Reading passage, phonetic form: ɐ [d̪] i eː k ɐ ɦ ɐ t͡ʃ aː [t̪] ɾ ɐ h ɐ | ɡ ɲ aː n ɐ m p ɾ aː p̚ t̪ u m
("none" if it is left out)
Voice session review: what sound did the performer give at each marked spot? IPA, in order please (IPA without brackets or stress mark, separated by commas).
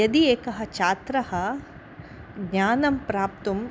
d̪, t̪